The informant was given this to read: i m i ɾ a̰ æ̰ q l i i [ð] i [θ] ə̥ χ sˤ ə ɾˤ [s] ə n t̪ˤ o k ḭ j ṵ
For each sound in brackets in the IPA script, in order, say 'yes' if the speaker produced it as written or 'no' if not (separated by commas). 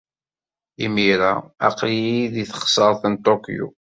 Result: yes, yes, no